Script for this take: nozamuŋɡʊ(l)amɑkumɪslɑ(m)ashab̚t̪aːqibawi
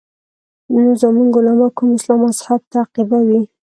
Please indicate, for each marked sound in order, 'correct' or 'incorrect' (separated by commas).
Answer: correct, correct